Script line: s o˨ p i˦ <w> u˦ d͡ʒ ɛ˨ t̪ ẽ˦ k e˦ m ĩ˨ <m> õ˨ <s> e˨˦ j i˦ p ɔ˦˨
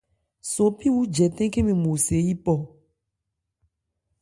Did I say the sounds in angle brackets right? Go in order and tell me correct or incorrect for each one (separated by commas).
correct, correct, correct